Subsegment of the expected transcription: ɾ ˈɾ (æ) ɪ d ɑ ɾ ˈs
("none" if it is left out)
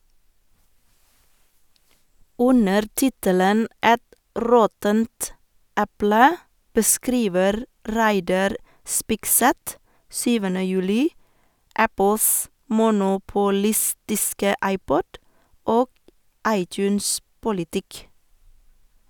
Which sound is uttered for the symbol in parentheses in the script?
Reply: æ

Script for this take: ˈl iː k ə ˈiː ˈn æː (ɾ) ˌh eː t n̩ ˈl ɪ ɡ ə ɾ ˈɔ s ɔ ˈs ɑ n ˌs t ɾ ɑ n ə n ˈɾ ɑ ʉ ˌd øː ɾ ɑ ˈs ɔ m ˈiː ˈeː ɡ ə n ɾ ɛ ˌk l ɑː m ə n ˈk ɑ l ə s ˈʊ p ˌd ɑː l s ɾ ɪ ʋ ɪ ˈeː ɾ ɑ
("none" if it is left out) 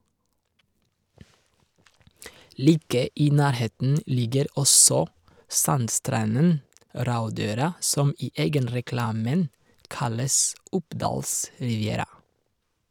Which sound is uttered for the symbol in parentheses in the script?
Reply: ɾ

